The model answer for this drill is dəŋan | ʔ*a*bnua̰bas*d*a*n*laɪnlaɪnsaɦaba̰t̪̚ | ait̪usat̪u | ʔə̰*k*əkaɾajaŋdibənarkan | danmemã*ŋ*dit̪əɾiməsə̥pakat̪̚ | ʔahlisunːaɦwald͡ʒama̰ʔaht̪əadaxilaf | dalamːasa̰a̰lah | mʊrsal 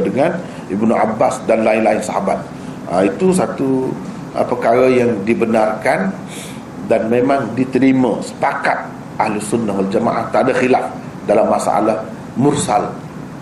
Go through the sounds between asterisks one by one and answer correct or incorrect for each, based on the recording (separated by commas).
incorrect, correct, correct, incorrect, correct